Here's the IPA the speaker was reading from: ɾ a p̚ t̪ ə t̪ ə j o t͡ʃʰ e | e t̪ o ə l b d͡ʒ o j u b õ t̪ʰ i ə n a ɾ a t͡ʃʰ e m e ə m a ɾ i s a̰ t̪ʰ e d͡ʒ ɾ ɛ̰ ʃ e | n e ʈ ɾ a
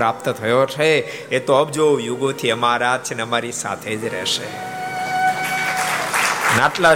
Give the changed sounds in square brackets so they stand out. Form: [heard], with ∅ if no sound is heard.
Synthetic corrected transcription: ɾ a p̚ t̪ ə [t̪ʰ] ə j o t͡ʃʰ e | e t̪ o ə [∅] b d͡ʒ o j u [ɡ] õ t̪ʰ i ə [m] a ɾ a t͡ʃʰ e [n] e ə m a ɾ i s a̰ t̪ʰ e d͡ʒ ɾ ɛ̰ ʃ e | n [a] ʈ [l] a